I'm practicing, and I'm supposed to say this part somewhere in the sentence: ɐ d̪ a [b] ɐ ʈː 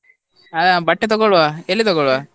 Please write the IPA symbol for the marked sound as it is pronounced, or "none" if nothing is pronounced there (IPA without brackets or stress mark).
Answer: b